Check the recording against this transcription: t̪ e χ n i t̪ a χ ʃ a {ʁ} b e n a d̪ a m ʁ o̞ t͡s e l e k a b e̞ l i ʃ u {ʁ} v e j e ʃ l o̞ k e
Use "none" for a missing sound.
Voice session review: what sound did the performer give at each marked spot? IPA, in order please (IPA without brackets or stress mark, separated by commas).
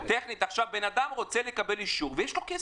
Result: v, ʁ